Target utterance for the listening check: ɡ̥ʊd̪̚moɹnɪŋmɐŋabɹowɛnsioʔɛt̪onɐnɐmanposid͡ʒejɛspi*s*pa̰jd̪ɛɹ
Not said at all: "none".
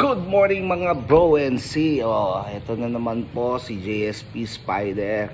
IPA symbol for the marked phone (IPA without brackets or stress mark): s